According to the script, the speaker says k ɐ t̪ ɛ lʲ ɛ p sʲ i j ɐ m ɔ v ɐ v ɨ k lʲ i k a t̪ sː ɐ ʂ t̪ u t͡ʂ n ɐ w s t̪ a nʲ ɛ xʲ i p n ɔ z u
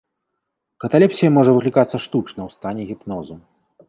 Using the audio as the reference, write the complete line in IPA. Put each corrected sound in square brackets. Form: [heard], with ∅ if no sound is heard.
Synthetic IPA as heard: k ɐ t̪ [a] lʲ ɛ p sʲ i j ɐ m ɔ [ʐ] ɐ v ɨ k lʲ i k a t̪ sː ɐ ʂ t̪ u t͡ʂ n ɐ w s t̪ a nʲ ɛ [ɣʲ] i p n ɔ z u